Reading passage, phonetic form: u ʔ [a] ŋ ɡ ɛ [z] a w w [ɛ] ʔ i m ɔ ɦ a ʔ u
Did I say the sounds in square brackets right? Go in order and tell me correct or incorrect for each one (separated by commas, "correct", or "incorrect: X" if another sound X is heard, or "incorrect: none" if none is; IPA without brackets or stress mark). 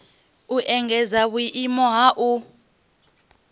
incorrect: ɛ, correct, incorrect: i